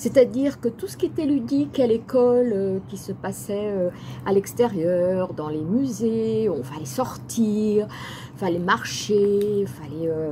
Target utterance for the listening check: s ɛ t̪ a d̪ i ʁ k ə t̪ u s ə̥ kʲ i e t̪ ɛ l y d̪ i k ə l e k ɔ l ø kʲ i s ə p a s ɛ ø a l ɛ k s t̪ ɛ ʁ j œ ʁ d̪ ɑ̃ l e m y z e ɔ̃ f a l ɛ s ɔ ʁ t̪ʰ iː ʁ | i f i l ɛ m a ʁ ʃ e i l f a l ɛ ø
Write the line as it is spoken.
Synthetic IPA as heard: s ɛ t̪ a d̪ i ʁ k ə t̪ u s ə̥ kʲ i e t̪ ɛ l y d̪ i k a l e k ɔ l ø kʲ i s ə p a s ɛ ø a l ɛ k s t̪ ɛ ʁ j œ ʁ d̪ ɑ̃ l e m y z e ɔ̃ f a l ɛ s ɔ ʁ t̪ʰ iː ʁ | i f a l ɛ m a ʁ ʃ e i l f a l ɛ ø

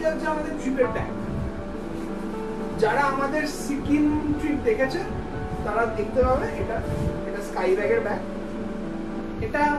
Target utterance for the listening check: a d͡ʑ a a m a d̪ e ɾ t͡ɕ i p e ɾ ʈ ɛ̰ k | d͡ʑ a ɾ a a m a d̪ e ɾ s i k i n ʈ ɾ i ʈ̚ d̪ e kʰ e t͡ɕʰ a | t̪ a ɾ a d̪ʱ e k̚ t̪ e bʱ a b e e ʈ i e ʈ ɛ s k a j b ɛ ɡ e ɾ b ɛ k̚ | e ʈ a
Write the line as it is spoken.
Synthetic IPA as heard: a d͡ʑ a a m a d̪ e ɾ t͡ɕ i p e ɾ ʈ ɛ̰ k | d͡ʑ a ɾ a a m a d̪ e ɾ s i k i n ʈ ɾ i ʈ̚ d̪ e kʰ e t͡ɕʰ e | t̪ a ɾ a d̪ʱ e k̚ t̪ e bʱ a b e e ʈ a e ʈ a s k a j b ɛ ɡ e ɾ b ɛ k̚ | e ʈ a

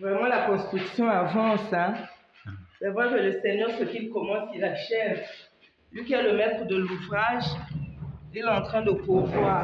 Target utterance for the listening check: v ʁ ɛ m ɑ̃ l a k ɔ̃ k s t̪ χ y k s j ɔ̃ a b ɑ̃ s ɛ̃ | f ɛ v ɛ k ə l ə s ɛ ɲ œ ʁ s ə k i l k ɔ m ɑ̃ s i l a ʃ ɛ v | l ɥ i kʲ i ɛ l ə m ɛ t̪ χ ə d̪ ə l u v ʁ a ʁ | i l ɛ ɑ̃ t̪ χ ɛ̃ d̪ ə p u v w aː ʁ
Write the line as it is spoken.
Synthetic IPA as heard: v ʁ ɛ m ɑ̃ l a k ɔ̃ s t̪ χ y k s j ɔ̃ a v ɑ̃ s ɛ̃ | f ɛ v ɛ k ə l ə s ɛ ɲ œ ʁ s ə k i l k ɔ m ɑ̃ s i l a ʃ ɛ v | l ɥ i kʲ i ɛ l ə m ɛ t̪ χ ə d̪ ə l u v ʁ a ʒ | i l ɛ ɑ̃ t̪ χ ɛ̃ d̪ ə p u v w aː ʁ

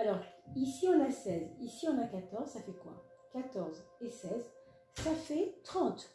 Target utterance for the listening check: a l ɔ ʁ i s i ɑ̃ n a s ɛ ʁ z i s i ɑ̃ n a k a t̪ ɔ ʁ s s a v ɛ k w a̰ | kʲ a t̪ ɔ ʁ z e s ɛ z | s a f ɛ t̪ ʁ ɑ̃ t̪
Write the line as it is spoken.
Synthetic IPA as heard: a l ɔ ʁ i s i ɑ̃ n a s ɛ z i s i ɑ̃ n a k a t̪ ɔ ʁ z s a f ɛ k w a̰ | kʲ a t̪ ɔ ʁ z e s ɛ z | s a f ɛ t̪ χ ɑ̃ t̪

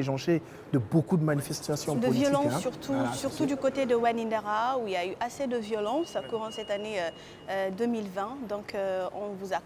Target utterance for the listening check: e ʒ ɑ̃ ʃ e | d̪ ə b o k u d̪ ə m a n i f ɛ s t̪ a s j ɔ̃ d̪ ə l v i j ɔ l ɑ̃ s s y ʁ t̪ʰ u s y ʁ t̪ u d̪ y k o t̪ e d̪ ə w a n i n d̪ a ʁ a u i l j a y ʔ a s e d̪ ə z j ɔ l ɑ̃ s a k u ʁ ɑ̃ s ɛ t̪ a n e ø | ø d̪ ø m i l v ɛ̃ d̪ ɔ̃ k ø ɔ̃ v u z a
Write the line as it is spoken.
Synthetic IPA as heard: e ʒ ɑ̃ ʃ e | d̪ ə b o k u d̪ ə m a n i f ɛ s t̪ a s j ɔ̃ d̪ ə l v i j ɔ l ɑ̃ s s y ʁ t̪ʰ u s y ʁ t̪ u d̪ y k o t̪ e d̪ ə w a n i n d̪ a ʁ a u i l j a y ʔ a s e d̪ ə v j ɔ l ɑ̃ s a k u ʁ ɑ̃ s ɛ t̪ a n e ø | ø d̪ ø m i l v ɛ̃ d̪ ɔ̃ k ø ɔ̃ v u z a

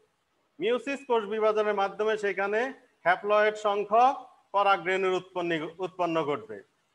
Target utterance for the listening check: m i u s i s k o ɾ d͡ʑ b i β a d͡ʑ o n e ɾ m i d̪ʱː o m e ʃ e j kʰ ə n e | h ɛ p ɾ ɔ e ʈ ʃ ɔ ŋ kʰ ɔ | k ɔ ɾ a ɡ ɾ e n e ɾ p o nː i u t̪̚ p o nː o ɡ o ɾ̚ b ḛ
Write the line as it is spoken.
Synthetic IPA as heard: m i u s i s k o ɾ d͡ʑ b i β a d͡ʑ o n e ɾ m a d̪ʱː o m e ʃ e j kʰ a n e | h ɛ p l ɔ e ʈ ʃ ɔ ŋ kʰ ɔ | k ɔ ɾ a ɡ ɾ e n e ɾ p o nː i u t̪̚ p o nː o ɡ o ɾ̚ b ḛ

